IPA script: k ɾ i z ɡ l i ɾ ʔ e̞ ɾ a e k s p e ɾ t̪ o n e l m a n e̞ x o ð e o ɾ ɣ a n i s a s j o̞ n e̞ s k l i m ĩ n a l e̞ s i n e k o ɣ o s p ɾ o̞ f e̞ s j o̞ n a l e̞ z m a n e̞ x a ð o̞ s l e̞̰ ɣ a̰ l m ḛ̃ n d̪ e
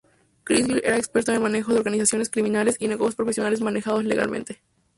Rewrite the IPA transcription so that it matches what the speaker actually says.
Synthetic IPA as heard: k ɾ i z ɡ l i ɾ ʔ e̞ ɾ a e k s p e ɾ t̪ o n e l m a n e̞ x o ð e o ɾ ɣ a n i s a s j o̞ n e̞ s k ɾ i m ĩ n a l e̞ s i n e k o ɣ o s p ɾ o̞ f e̞ s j o̞ n a l e̞ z m a n e̞ x a ð o̞ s l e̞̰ ɣ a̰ l m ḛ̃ n t̪ e